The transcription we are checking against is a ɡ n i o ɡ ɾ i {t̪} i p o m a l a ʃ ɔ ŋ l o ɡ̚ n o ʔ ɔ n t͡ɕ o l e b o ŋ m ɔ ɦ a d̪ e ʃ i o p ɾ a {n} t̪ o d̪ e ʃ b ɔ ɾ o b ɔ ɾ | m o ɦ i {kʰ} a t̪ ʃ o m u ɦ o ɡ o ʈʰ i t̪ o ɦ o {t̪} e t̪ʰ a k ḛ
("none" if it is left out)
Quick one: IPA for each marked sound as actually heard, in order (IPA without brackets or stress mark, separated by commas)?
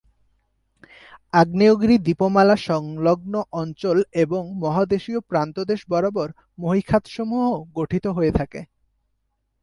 d̪, n, kʰ, none